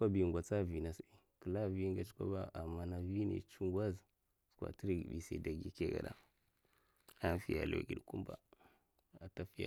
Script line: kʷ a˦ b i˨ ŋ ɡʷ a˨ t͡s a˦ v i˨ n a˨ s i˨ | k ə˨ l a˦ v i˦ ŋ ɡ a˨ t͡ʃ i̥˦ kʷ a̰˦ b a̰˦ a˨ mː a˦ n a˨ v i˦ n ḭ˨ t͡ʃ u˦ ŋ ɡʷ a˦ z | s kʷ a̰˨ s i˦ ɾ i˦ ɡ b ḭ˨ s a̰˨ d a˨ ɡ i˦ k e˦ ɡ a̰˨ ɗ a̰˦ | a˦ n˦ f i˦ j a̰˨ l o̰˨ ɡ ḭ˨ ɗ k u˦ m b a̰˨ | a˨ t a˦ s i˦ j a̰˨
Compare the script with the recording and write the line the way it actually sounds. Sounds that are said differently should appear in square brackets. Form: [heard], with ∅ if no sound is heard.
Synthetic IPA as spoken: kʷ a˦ b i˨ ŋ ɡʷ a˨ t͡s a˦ v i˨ n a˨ s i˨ | k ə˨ l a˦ v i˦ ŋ ɡ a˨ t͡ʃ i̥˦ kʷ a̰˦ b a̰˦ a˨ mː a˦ n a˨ v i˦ n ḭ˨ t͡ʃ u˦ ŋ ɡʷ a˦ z | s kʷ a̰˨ [t] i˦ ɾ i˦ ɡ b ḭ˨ s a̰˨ d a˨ ɡ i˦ k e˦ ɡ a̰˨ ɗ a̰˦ | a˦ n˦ f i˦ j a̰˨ l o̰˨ ɡ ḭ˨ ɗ k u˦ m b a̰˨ | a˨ t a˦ [f] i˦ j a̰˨

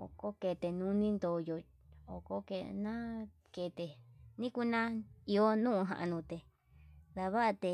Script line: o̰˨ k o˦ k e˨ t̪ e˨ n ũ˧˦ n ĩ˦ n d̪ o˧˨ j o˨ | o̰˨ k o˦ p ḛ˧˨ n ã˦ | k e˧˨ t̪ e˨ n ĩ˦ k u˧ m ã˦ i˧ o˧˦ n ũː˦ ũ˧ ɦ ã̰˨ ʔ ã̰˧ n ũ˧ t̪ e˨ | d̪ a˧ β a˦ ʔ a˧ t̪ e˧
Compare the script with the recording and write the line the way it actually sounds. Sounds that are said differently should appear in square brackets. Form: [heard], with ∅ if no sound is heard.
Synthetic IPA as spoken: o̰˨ k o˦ k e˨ t̪ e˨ n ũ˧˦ n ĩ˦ n d̪ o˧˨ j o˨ | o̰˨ k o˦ [k] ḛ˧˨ n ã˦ | k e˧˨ t̪ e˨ n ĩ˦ k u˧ [n] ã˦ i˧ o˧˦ n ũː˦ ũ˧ ɦ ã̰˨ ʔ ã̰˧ n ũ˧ t̪ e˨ | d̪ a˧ β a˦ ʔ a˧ t̪ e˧

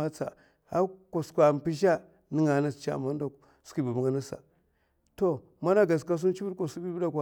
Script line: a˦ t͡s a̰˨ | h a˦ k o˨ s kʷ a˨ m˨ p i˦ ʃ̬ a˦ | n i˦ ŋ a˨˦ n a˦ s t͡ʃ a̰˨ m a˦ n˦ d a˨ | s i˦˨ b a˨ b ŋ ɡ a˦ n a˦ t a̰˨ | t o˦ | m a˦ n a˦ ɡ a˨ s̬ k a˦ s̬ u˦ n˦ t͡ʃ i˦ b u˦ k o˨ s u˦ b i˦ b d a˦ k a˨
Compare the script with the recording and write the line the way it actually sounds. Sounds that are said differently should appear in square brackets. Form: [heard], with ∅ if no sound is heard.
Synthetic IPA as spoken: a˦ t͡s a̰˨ | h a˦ k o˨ s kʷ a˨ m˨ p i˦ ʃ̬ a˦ | n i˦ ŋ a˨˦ n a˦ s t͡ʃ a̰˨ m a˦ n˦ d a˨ | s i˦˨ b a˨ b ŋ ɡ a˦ n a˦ [s] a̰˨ | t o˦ | m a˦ n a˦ ɡ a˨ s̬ k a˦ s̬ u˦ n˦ t͡ʃ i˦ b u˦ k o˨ s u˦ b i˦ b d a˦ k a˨

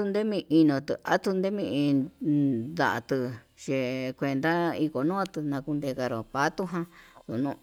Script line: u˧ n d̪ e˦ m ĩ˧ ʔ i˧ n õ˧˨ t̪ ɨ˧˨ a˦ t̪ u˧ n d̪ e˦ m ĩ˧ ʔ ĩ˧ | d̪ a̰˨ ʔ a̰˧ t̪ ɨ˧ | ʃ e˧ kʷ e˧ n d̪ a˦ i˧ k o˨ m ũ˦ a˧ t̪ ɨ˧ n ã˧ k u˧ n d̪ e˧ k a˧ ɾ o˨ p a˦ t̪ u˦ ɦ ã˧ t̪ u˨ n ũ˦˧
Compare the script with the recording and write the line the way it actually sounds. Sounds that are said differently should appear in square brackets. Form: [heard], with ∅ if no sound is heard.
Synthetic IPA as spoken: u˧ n d̪ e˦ m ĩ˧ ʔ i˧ n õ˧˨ t̪ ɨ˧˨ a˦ t̪ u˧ n d̪ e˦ m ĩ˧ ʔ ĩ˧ | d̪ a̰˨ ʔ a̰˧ t̪ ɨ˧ | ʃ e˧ kʷ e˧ n d̪ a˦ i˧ k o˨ [n] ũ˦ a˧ t̪ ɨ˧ n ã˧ k u˧ n d̪ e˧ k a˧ ɾ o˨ p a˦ t̪ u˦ ɦ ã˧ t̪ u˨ n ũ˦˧

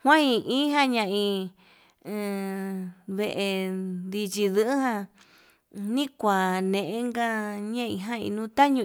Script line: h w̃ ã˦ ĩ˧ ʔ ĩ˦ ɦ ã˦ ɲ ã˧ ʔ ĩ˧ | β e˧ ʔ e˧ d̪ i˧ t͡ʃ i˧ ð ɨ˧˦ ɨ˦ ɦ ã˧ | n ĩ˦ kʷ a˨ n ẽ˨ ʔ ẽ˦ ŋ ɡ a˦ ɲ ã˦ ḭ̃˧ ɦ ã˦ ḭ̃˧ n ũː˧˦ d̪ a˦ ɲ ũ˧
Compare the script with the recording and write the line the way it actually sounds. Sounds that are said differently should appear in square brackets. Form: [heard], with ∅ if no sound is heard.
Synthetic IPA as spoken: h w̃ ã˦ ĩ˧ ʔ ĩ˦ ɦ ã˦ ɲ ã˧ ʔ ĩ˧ | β e˧ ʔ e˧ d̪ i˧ t͡ʃ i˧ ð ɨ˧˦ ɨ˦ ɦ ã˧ | n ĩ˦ kʷ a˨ n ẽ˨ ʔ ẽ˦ ŋ ɡ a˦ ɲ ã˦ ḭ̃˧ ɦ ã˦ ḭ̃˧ n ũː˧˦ [t̪] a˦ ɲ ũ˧

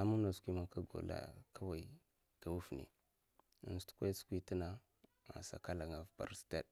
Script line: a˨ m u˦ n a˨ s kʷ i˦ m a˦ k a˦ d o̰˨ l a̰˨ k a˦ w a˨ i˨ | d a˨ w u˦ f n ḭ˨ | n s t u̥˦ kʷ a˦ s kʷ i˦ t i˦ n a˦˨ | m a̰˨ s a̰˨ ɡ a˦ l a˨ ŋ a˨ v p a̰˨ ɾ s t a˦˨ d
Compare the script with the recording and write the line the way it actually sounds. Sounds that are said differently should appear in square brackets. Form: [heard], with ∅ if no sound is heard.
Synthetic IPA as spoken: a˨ m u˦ n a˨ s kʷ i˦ m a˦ k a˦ [ɡ] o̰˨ l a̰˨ k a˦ w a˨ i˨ | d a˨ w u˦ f n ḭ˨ | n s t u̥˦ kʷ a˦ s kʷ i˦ t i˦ n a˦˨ | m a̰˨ s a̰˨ [k] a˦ l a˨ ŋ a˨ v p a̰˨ ɾ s t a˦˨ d

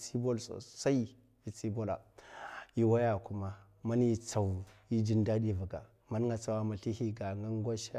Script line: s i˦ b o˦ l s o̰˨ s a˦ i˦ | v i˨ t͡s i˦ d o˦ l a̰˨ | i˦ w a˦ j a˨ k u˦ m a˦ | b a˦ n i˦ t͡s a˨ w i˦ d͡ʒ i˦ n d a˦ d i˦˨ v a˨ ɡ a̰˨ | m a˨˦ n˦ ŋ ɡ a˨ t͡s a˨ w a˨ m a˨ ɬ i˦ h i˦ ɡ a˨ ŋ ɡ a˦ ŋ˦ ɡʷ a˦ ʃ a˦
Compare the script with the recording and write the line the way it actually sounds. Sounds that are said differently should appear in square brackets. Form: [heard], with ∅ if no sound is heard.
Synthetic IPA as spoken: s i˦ b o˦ l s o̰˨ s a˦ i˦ | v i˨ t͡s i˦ [b] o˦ l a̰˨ | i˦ w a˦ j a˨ k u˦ m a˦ | [m] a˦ n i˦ t͡s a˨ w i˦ d͡ʒ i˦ n d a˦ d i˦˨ v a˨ ɡ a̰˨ | m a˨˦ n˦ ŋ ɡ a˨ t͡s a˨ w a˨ m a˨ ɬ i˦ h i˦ ɡ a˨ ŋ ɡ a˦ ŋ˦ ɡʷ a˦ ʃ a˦

